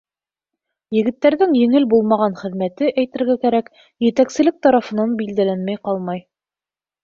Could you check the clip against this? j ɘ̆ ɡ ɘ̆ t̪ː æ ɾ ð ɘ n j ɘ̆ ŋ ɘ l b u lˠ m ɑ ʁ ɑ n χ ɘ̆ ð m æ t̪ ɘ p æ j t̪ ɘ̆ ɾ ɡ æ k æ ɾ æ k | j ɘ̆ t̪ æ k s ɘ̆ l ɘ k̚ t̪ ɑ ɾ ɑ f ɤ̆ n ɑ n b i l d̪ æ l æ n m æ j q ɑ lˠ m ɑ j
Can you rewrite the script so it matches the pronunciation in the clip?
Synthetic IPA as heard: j ɘ̆ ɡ ɘ̆ t̪ː æ ɾ ð ɘ ŋ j ɘ̆ ŋ ɘ l b u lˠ m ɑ ʁ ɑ n χ ɘ̆ ð m æ t̪ ɘ ʔ æ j t̪ ɘ̆ ɾ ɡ æ k æ ɾ æ k | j ɘ̆ t̪ æ k s ɘ̆ l ɘ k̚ t̪ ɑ ɾ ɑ f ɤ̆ n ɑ n b i l d̪ æ l æ n m æ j q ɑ lˠ m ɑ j